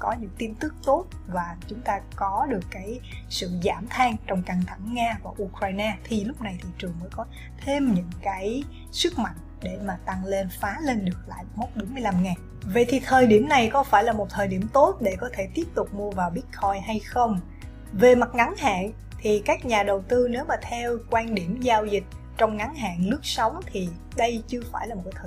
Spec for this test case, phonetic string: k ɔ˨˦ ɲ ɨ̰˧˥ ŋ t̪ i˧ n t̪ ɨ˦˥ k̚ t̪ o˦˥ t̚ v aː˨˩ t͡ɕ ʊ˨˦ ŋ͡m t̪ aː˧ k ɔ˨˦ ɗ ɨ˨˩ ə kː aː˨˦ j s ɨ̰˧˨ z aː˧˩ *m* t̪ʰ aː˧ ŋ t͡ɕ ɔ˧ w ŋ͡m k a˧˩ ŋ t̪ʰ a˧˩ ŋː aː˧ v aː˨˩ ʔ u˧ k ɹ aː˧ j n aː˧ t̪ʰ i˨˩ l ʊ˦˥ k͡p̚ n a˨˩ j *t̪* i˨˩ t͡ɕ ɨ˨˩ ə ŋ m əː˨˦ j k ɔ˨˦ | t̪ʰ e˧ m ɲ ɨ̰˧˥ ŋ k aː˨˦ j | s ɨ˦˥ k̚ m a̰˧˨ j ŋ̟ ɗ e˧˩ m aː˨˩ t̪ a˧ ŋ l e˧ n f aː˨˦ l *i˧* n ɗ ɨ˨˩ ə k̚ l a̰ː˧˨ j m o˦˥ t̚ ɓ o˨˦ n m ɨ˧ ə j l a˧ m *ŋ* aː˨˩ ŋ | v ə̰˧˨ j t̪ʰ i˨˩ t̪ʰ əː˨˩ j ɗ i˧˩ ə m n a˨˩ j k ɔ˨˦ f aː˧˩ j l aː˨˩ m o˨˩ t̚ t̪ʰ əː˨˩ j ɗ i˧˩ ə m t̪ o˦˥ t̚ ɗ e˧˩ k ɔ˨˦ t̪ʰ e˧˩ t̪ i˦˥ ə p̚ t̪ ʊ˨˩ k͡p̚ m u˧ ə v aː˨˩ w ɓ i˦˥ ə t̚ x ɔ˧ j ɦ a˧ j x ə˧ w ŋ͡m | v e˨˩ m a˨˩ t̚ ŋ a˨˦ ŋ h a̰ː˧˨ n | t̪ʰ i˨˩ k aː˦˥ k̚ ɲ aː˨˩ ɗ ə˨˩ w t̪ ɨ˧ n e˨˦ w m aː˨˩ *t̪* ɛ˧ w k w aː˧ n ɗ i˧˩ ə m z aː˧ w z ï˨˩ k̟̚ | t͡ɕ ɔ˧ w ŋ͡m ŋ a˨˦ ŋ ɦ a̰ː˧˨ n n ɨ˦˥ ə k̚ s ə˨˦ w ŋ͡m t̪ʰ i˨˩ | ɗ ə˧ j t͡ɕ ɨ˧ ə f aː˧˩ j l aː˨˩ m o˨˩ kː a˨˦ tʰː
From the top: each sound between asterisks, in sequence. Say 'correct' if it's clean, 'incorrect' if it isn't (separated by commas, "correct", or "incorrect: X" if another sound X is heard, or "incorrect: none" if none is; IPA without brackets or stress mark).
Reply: correct, incorrect: t̪ʰ, incorrect: e˧, correct, incorrect: t̪ʰ